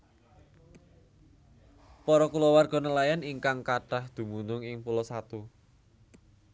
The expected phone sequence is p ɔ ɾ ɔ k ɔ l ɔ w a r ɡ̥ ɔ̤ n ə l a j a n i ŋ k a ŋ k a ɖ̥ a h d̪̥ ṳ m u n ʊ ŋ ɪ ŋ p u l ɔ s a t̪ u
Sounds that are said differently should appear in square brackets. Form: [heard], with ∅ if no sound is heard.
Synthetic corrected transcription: p ɔ ɾ ɔ k [u] l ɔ w a r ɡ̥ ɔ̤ n ə l a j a n i ŋ k a ŋ k a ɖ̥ a h d̪̥ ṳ m u n ʊ ŋ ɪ ŋ p u l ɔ s a t̪ u

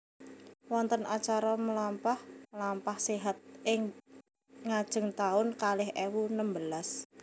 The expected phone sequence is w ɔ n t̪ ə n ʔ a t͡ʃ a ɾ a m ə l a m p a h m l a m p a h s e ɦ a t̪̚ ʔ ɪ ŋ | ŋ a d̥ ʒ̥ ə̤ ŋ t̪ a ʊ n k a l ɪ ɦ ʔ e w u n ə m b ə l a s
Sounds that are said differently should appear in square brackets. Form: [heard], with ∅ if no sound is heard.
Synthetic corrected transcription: w ɔ n t̪ ə n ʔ a t͡ʃ a ɾ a m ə l a m p a h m l a m p a h s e ɦ a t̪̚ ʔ ɪ ŋ | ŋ a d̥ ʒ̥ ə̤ ŋ t̪ a ʊ n k a l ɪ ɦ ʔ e w u n ə m b ə l a s

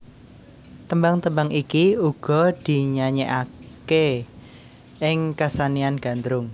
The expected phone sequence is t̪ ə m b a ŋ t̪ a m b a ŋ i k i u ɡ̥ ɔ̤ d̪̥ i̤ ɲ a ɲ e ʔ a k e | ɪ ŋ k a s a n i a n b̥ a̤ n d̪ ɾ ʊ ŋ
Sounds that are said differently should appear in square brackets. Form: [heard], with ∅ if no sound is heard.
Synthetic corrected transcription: t̪ ə m b a ŋ t̪ [ə] m b a ŋ i k i u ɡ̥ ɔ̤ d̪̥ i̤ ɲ a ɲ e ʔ a k e | ɪ ŋ k a s a n i a n [ɡ̥] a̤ n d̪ ɾ ʊ ŋ

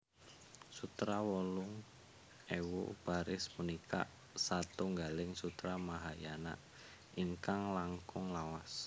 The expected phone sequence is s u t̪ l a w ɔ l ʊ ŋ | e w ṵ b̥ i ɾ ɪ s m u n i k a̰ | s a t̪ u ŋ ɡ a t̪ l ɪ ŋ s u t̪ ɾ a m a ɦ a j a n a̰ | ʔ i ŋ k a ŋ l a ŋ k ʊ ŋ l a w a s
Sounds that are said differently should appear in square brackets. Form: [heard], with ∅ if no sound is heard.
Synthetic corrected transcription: s u t̪ [ɾ] a w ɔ l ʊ ŋ | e w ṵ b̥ [a] ɾ ɪ s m u n i k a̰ | s a t̪ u ŋ ɡ a [∅] l ɪ ŋ s u t̪ ɾ a m a ɦ a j a n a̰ | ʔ i ŋ k a ŋ l a ŋ k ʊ ŋ l a w a s

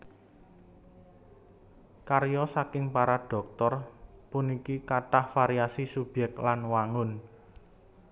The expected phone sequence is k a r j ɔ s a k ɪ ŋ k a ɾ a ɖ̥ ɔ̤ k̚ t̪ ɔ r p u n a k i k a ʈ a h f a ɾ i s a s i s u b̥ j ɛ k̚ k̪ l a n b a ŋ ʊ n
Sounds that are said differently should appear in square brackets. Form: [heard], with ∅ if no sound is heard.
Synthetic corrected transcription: k a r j ɔ s a k ɪ ŋ [p] a ɾ a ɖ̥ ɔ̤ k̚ t̪ ɔ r p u n [i] k i k a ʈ a h f a ɾ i [∅] a s i s u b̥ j ɛ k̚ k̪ l a n [w] a ŋ ʊ n

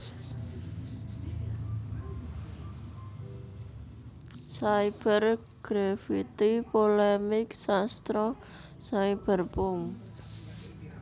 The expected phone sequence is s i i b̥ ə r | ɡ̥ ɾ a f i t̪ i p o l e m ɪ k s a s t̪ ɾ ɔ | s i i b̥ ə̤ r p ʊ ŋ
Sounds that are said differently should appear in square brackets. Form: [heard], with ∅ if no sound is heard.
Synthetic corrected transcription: s [a] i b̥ ə r | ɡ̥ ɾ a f i t̪ i p o l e m ɪ k s a s t̪ ɾ ɔ | s [a] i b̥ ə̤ r p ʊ ŋ

